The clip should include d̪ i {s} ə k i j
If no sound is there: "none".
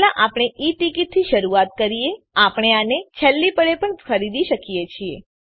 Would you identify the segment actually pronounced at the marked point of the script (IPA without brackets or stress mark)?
ʃ